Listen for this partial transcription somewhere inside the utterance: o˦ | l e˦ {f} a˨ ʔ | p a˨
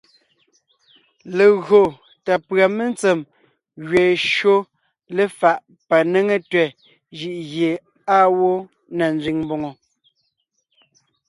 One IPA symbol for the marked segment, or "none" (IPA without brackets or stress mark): f